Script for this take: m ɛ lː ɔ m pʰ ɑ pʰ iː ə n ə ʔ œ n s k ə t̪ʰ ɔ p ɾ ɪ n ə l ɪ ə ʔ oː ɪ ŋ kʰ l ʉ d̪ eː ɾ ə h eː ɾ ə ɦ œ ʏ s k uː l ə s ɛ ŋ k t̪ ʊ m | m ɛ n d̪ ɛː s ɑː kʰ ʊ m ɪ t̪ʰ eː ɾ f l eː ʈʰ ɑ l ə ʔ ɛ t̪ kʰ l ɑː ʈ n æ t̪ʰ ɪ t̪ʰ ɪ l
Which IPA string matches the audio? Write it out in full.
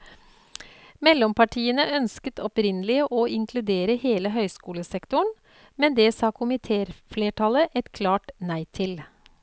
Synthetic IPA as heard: m ɛ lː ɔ m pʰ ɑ ʈʰ iː ə n ə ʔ œ n s k ə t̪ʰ ɔ p ɾ ɪ n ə l ɪ ə ʔ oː ɪ ŋ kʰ l ʉ d̪ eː ɾ ə h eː l ə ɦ œ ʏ s k uː l ə s ɛ k t̪ ʊ ɳ | m ɛ n d̪ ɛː s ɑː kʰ ʊ m ɪ t̪ʰ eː ɾ f l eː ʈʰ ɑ l ə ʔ ɛ t̪ kʰ l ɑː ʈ n æ ɪ t̪ʰ ɪ l